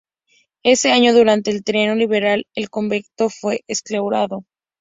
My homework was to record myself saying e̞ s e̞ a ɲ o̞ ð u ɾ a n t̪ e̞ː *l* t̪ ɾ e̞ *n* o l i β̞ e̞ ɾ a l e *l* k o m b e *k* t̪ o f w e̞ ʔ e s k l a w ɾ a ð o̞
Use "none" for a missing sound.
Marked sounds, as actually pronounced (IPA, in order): l, n, l, k

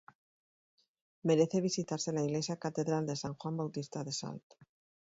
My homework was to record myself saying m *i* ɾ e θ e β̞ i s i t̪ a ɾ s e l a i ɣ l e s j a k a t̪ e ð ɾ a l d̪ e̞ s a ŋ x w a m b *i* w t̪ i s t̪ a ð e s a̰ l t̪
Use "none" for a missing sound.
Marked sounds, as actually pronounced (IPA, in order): e, a

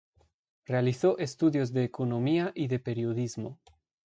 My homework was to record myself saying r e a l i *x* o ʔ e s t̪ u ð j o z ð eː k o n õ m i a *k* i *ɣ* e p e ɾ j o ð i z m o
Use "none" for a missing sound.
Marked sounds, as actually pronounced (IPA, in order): θ, ʔ, ð

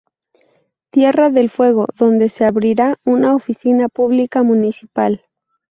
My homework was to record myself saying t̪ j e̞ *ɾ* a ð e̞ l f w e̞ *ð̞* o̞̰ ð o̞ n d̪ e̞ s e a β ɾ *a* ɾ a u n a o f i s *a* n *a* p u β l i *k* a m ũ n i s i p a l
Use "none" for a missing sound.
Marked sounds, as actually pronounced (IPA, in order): r, ɣ̞, i, i, a, k

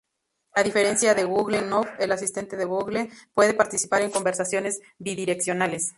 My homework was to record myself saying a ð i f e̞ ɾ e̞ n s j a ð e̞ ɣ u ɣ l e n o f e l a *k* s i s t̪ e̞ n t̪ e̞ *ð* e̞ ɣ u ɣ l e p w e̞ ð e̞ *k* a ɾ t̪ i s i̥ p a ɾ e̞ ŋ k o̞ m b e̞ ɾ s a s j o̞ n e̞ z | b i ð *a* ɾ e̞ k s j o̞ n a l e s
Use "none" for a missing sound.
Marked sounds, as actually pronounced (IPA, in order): none, ð, p, i

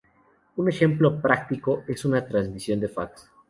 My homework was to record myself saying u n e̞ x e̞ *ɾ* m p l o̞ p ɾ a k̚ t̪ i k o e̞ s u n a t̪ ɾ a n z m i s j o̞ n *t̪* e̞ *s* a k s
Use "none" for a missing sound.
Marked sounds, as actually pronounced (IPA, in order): none, d̪, f

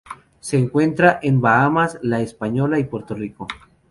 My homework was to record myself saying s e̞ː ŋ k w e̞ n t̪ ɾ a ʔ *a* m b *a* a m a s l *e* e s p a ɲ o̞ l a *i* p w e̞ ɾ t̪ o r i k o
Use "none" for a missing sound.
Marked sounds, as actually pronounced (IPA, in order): e, a, a, i

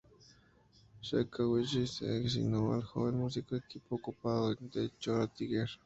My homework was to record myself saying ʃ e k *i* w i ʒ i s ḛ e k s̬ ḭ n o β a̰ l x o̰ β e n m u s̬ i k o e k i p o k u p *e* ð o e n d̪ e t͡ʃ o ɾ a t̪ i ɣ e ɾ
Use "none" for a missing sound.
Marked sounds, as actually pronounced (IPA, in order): a, a

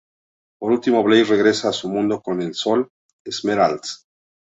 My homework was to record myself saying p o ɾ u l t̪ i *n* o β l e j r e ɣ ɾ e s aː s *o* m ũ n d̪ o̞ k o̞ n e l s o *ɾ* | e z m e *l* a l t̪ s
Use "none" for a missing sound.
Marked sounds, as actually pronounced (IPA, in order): m, u, l, ɾ

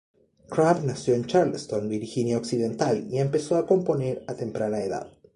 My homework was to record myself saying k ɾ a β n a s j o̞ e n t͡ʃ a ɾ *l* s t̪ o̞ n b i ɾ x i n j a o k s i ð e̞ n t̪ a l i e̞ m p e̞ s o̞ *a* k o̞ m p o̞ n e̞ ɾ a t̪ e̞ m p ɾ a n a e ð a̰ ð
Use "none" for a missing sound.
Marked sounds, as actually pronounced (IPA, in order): l, a

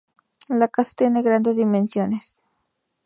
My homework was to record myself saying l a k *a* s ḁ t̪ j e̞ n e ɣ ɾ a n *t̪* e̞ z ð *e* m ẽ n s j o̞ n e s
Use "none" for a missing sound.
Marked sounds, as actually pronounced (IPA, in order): a, d̪, i

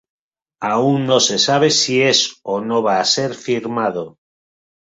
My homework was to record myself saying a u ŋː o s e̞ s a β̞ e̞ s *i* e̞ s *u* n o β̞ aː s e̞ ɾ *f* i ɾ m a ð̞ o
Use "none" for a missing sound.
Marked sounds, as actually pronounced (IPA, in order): i, o, f

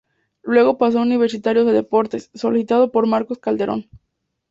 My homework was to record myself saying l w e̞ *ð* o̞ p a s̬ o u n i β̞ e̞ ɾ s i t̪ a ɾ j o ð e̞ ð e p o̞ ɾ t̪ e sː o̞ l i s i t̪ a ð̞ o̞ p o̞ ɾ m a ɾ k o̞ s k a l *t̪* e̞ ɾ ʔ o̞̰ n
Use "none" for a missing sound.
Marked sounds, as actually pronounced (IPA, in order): ɣ, d̪

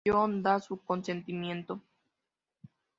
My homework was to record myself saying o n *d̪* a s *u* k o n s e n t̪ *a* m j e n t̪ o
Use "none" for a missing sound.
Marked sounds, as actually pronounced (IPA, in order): d̪, u, i

